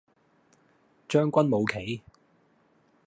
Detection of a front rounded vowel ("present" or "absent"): present